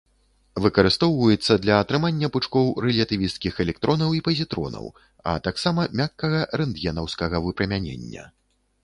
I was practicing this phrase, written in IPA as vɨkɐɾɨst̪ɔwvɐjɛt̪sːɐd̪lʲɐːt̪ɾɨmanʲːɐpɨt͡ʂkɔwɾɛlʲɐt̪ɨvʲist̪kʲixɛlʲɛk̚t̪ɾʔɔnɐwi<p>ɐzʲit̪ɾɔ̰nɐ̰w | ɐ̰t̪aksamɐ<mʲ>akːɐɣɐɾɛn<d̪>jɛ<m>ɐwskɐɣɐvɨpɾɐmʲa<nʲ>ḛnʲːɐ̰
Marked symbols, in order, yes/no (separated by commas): yes, yes, yes, no, yes